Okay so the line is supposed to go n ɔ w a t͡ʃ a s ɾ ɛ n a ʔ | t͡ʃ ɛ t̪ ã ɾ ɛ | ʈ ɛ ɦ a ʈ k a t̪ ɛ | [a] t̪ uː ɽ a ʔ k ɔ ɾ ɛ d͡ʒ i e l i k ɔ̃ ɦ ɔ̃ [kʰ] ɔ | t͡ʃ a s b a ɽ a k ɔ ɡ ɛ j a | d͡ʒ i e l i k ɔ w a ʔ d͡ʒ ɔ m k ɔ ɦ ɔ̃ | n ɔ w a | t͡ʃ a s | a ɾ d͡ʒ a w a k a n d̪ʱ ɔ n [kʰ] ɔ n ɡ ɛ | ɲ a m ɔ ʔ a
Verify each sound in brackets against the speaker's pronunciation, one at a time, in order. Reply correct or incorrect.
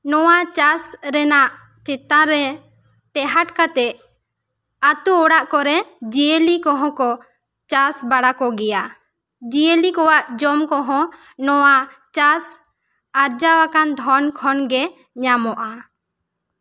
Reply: correct, incorrect, correct

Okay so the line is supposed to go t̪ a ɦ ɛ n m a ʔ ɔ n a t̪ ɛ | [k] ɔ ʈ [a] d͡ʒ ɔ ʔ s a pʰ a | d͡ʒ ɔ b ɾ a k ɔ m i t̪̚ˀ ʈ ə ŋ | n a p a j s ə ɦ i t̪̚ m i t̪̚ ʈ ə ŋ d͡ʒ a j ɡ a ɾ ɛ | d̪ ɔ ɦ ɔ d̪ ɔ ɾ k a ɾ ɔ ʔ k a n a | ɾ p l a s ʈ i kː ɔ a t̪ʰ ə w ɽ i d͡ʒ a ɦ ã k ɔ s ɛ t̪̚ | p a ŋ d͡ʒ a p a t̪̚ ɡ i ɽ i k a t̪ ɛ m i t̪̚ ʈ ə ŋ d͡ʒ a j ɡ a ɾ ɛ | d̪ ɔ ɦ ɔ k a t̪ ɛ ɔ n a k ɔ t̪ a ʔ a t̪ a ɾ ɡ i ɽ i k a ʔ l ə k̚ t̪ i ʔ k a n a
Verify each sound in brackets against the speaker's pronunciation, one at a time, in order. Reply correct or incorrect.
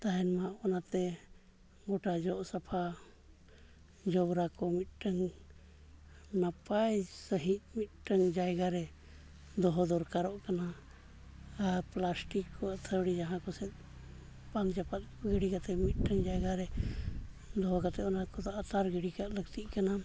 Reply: incorrect, correct

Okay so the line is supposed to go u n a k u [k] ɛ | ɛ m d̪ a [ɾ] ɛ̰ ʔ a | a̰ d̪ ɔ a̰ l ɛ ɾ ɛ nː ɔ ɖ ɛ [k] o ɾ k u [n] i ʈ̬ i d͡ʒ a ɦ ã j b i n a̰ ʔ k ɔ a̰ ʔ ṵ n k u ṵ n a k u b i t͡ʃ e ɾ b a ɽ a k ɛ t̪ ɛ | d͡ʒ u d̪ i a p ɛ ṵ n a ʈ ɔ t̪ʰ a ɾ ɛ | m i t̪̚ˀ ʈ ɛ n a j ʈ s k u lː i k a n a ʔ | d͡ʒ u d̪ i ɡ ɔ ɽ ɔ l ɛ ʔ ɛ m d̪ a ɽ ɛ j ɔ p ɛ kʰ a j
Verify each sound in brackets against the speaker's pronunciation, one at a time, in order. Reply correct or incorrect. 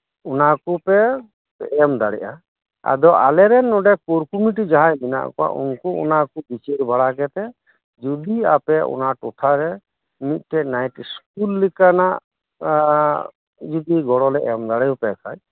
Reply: incorrect, incorrect, correct, incorrect

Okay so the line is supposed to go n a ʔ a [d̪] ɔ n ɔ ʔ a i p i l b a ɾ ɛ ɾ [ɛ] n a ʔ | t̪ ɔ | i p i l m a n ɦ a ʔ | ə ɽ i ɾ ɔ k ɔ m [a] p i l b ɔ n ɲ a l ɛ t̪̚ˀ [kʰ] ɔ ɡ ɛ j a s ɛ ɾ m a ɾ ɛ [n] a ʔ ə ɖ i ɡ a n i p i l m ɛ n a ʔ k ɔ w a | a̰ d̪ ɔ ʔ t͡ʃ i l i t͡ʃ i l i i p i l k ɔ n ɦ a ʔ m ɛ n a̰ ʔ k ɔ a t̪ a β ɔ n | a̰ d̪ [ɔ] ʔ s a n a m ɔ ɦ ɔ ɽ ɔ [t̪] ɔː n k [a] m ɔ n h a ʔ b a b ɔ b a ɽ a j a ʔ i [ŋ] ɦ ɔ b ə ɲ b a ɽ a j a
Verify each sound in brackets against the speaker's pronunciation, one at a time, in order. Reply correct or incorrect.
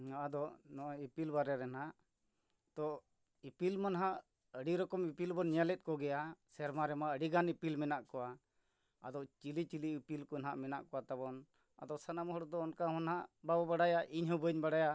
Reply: correct, correct, incorrect, incorrect, incorrect, correct, incorrect, correct, incorrect

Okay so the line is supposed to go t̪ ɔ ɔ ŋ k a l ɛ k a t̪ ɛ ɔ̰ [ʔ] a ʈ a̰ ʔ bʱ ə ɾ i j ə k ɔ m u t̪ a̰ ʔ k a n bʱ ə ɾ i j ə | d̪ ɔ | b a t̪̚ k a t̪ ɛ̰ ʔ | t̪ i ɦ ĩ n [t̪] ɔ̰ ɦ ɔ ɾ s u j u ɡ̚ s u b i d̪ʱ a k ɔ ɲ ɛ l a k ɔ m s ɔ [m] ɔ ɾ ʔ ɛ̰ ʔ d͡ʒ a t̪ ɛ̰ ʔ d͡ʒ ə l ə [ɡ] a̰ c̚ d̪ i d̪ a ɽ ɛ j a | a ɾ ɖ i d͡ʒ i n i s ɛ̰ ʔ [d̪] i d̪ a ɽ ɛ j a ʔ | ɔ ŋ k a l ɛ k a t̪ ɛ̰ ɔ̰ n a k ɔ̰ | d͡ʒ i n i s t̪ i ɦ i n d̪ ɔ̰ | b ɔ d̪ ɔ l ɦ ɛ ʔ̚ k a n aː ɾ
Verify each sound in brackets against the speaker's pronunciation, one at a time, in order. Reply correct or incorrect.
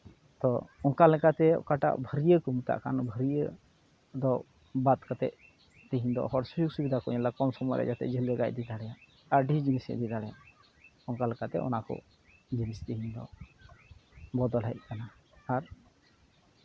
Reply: incorrect, incorrect, correct, correct, correct

